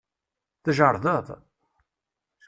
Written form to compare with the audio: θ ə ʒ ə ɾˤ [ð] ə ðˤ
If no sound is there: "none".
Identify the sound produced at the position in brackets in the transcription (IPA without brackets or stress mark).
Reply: ð